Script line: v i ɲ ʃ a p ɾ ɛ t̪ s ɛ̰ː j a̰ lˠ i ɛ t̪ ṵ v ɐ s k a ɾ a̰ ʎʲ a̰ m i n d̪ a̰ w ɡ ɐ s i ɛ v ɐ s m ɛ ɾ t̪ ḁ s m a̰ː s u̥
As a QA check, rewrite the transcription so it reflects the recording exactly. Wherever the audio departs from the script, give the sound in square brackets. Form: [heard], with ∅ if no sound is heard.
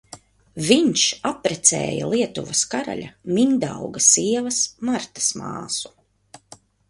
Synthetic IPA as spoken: v i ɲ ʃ a p ɾ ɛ t̪ s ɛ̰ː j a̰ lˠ i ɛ t̪ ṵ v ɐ s k a ɾ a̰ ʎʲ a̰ m i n d̪ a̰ w ɡ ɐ s i ɛ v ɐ s m [a] ɾ t̪ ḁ s m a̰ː s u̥